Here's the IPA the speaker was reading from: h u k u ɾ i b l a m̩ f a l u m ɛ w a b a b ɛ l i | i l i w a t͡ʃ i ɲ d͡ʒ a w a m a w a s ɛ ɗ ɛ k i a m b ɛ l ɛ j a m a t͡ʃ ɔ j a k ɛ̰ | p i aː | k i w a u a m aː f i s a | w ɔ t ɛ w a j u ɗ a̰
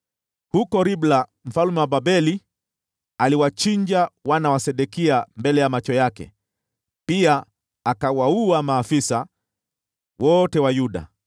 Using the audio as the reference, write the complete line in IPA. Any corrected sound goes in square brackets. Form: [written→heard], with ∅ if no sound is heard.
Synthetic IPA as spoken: h u k [u→ɔ] ɾ i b l a m̩ f a l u m ɛ w a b a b ɛ l i | [i→a] l i w a t͡ʃ i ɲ d͡ʒ a w a [m→n] a w a s ɛ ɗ ɛ k i a m b ɛ l ɛ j a m a t͡ʃ ɔ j a k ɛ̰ | p i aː | k [i→a] w a u a m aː f i s a | w ɔ t ɛ w a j u ɗ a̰